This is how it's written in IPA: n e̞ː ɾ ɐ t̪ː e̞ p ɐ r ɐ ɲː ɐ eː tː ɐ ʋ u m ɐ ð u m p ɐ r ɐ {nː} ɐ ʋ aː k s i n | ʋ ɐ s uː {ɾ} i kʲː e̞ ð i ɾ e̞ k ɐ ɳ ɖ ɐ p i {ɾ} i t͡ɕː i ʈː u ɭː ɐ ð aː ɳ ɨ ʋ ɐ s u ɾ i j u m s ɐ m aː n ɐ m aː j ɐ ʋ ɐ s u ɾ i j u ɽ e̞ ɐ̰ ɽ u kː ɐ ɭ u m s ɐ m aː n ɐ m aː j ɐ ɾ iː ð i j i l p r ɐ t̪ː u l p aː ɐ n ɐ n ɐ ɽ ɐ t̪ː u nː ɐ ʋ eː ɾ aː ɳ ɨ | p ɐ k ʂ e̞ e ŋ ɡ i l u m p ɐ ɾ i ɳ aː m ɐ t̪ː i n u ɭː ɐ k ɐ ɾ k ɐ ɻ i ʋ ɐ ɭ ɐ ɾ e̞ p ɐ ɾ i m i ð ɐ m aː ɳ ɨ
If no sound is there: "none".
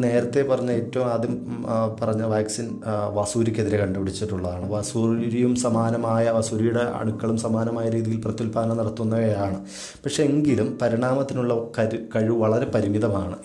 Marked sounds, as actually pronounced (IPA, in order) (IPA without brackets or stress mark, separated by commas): ɲː, ɾ, ɽ